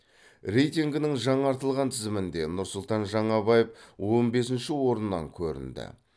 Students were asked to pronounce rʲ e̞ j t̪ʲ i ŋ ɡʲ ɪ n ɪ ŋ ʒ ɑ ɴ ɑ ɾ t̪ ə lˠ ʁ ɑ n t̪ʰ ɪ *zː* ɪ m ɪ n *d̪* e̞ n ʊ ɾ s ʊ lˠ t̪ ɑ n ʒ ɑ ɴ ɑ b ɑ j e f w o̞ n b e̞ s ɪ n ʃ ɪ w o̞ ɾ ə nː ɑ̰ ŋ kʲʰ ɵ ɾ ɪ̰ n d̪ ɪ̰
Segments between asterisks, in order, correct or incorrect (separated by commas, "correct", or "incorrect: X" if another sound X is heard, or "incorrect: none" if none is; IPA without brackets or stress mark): incorrect: z, correct